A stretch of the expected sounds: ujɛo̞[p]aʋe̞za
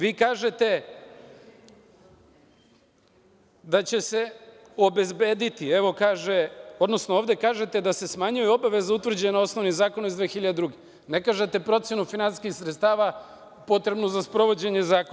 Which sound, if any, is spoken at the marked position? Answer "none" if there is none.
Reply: b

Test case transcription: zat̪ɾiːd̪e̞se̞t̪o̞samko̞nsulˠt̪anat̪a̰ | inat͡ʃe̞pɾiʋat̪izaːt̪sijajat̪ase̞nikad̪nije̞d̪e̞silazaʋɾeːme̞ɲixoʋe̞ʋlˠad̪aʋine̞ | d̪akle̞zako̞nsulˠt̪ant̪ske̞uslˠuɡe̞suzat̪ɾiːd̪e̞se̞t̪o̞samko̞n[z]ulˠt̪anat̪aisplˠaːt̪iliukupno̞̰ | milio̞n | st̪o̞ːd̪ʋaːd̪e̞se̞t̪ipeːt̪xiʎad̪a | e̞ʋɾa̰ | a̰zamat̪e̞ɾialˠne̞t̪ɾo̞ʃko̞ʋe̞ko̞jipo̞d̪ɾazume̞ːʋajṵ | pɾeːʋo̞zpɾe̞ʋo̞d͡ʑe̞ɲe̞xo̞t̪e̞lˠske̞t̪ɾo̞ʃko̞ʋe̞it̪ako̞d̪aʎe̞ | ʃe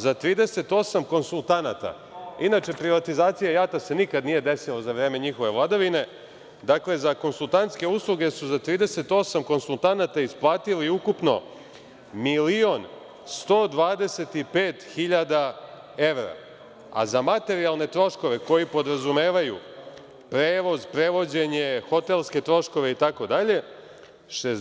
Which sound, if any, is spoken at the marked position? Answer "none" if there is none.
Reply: s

